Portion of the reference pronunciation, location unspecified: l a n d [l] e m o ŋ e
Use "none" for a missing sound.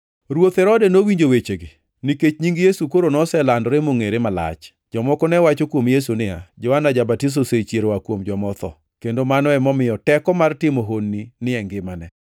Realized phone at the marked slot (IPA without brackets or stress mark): ɾ